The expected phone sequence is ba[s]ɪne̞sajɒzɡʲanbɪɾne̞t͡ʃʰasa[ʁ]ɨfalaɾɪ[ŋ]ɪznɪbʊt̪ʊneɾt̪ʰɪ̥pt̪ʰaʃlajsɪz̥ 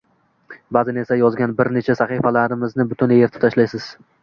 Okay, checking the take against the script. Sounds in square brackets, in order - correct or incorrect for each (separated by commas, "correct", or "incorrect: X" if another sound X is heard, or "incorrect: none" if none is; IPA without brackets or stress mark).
incorrect: z, incorrect: χ, incorrect: m